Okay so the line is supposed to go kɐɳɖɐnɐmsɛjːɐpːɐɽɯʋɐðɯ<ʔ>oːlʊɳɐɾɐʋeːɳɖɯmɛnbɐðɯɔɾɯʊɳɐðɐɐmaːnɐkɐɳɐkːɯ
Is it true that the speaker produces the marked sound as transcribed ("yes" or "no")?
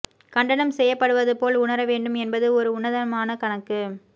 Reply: no